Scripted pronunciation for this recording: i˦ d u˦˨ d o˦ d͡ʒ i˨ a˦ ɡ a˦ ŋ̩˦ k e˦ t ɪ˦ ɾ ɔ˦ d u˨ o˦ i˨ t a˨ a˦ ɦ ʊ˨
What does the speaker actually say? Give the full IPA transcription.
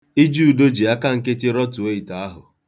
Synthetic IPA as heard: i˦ d͡ʒ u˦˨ d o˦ d͡ʒ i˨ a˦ k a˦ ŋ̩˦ k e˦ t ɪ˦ ɾ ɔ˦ t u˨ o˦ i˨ t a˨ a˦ ɦ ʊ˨